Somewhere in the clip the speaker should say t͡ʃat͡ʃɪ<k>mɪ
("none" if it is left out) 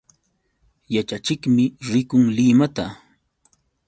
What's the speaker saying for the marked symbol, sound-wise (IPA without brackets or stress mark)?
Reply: k